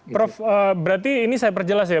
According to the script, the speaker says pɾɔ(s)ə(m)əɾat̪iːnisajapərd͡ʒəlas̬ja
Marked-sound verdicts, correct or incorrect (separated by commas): incorrect, incorrect